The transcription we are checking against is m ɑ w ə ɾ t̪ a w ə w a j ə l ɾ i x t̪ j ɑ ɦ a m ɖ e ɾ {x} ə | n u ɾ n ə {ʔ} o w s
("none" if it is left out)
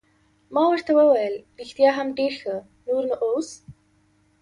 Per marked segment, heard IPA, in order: x, ʔ

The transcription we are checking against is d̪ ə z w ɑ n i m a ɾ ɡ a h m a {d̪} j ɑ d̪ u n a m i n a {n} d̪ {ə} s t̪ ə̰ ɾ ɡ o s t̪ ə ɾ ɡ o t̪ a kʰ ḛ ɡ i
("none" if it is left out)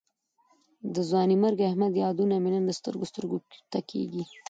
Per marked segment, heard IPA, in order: d̪, n, ə

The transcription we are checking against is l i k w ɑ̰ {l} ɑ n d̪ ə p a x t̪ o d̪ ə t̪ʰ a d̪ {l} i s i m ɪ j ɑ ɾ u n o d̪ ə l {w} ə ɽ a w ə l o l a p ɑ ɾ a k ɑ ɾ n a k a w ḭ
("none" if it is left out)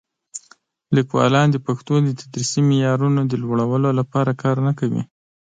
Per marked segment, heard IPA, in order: l, ɾ, w

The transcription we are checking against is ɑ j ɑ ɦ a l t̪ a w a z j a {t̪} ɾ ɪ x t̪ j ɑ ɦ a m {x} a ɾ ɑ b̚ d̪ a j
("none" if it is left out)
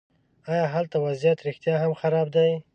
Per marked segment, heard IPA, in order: t̪, x

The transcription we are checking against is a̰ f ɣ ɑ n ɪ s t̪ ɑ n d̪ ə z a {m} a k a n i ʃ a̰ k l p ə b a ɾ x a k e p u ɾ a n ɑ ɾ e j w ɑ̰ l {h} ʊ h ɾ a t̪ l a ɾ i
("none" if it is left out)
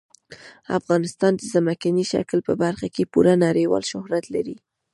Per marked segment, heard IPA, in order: m, ʃ

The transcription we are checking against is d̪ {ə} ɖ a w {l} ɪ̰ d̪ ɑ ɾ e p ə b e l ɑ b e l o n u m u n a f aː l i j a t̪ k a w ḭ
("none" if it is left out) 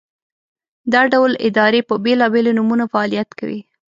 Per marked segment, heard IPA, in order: ɑ, l

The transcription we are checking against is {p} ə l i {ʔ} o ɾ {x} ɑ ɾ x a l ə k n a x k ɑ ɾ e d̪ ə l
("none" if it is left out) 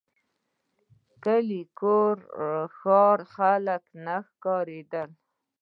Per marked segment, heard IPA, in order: k, k, x

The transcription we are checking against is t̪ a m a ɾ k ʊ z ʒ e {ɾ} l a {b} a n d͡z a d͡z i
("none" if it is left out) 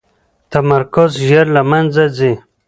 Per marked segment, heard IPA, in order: ɾ, m

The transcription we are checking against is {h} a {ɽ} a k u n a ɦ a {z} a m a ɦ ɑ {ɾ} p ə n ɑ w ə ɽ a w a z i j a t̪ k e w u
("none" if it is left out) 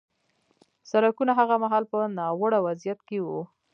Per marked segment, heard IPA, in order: s, ɾ, ɣ, l

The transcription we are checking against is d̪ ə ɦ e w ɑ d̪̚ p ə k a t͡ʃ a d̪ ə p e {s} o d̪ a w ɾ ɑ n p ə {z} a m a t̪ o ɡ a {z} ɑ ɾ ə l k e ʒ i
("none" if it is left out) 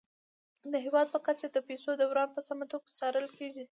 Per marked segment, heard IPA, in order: s, s, s

